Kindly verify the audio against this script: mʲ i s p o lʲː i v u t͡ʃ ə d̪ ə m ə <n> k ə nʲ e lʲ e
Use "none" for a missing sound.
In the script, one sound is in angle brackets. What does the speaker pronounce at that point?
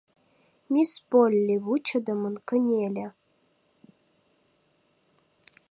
n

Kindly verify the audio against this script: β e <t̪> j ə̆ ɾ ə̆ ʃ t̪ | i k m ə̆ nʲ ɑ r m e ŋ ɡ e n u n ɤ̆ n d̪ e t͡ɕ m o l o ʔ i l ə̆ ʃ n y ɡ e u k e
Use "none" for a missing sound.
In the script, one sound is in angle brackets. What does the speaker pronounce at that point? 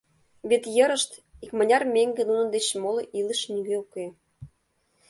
t̪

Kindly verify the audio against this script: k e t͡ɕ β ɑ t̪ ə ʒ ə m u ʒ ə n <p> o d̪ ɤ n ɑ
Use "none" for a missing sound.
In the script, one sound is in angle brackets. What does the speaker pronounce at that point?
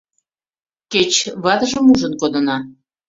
k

